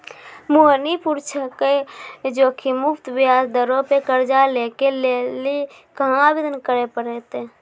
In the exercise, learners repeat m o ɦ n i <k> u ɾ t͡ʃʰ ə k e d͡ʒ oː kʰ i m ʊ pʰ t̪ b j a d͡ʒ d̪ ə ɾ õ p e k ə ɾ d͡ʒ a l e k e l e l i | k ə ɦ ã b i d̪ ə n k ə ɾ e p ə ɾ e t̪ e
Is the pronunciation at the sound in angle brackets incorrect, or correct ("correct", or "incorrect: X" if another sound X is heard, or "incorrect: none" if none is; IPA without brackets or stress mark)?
incorrect: p